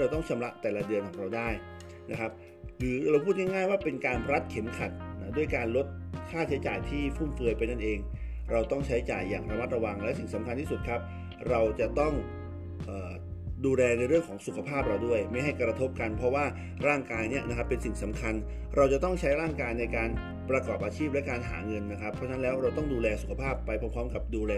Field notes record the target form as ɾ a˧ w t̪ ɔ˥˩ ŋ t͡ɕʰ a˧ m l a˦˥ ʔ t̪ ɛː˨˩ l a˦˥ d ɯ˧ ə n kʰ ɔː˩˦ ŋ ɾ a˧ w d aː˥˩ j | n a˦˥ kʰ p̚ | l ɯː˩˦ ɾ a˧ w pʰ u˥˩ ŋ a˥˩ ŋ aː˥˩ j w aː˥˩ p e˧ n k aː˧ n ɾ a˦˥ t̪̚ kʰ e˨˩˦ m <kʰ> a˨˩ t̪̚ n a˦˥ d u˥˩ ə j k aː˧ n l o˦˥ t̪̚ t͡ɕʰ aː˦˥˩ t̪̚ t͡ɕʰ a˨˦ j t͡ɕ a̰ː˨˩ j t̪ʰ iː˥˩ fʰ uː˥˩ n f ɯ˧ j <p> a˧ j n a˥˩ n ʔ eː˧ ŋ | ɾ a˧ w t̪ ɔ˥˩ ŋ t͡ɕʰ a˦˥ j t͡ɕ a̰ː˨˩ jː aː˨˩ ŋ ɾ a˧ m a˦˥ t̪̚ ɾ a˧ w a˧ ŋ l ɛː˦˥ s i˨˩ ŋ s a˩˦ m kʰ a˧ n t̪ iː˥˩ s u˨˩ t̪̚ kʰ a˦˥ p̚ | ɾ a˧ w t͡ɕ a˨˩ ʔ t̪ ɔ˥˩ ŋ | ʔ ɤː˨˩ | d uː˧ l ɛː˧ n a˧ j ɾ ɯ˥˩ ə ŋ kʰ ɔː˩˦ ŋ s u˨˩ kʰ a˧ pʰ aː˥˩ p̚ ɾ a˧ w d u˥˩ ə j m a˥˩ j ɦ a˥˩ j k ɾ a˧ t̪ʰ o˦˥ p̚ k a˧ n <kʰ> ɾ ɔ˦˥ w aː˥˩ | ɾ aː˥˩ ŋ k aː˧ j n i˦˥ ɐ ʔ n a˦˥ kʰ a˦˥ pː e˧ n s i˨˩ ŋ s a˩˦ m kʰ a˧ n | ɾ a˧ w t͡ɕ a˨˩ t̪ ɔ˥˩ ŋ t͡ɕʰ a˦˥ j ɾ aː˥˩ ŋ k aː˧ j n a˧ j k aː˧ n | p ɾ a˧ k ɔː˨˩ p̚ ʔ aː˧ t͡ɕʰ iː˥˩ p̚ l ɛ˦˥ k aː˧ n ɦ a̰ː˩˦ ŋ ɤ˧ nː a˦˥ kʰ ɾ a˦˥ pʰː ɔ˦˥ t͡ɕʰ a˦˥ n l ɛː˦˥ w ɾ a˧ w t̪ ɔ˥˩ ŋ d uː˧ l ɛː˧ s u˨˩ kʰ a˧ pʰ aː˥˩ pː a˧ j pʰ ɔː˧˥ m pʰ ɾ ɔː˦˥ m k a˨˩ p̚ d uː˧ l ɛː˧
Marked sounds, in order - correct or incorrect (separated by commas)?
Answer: correct, correct, incorrect